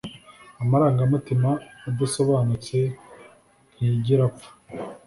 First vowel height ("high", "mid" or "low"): low